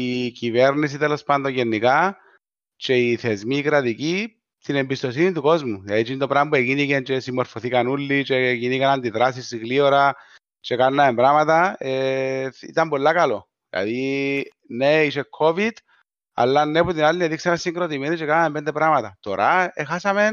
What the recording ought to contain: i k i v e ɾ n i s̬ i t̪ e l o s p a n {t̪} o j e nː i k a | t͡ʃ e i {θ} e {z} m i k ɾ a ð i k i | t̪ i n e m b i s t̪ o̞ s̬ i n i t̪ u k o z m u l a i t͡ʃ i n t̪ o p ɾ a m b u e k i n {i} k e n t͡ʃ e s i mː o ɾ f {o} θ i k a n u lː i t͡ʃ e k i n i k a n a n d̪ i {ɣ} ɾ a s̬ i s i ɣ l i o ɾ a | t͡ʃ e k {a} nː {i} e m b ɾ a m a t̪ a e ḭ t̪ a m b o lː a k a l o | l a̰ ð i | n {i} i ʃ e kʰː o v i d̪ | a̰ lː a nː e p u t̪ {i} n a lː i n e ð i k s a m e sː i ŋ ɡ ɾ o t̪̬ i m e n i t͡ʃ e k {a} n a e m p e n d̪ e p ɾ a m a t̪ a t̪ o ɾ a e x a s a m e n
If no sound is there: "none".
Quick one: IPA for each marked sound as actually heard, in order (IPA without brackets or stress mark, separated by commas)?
d̪, θ, z, i, o, ð, a, a, e, i, a